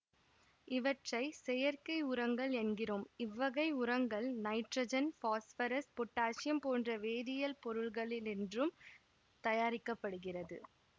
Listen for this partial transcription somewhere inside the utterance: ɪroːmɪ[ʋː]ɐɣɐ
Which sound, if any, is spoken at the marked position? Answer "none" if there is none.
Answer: ʋː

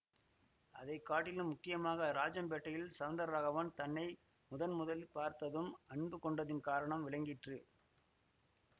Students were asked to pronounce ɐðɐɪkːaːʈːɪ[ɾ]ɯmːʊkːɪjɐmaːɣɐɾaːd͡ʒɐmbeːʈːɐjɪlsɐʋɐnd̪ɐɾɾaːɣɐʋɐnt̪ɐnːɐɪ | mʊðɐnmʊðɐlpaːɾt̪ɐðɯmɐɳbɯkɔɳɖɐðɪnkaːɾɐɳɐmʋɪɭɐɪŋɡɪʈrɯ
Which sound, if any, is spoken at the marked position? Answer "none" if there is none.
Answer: l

